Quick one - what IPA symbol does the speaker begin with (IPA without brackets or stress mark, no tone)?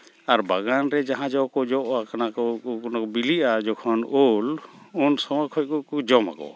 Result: a